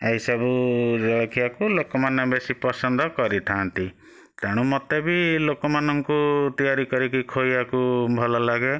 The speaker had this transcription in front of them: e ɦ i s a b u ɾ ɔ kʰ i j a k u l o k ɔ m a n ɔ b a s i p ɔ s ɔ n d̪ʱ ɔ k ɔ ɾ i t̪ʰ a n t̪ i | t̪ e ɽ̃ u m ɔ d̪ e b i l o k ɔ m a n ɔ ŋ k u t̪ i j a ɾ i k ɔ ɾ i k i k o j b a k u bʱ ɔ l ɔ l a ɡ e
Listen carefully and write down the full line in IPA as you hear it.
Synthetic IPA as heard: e ɦ i s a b u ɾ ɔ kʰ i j a k u l o k ɔ m a n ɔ b e s i p ɔ s ɔ n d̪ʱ ɔ k ɔ ɾ i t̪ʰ a n t̪ i | t̪ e ɽ̃ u m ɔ t̪ e b i l o k ɔ m a n ɔ ŋ k u t̪ i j a ɾ i k ɔ ɾ i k i kʰ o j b a k u bʱ ɔ l ɔ l a ɡ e